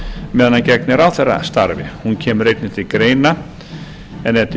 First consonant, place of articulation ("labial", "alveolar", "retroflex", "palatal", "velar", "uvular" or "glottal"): labial